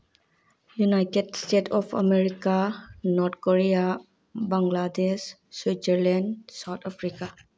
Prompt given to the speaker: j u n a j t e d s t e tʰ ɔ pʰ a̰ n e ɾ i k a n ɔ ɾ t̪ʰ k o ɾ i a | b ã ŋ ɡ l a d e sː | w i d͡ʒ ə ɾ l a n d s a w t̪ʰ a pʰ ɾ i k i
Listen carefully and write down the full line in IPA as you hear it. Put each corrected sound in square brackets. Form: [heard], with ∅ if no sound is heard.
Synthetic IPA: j u n a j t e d s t e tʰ ɔ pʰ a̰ [m] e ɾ i k a n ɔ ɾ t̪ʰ k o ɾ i a | b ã ŋ ɡ l a d e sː | w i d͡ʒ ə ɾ l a n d s a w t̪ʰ a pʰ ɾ i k [a]